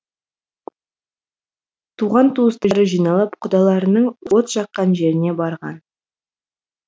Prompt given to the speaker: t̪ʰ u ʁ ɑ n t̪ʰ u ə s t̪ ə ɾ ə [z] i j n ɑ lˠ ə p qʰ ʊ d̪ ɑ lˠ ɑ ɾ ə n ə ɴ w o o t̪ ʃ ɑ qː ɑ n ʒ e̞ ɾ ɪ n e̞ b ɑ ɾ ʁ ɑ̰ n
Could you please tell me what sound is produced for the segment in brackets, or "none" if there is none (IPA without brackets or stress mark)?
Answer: ʒ